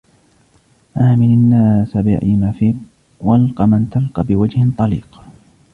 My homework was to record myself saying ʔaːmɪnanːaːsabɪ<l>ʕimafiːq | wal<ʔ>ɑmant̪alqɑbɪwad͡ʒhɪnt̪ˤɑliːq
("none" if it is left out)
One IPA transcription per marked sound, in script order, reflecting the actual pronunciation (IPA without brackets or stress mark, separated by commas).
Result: none, q